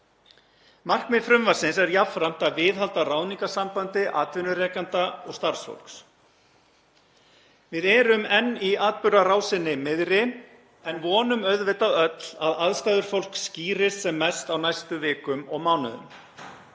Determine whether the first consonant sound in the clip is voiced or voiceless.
voiced